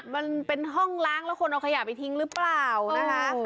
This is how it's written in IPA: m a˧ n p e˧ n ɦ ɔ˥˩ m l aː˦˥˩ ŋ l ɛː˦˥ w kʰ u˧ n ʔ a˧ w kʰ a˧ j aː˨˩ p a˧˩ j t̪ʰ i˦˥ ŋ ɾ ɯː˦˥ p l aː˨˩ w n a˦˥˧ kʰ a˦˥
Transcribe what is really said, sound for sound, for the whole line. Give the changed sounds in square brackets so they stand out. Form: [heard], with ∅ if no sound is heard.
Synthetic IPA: m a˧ n p e˧ n ɦ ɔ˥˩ [ŋ] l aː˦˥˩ ŋ l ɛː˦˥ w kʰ [o˧] n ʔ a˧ w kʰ a˧ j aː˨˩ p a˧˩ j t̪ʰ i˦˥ ŋ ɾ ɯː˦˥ p l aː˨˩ w n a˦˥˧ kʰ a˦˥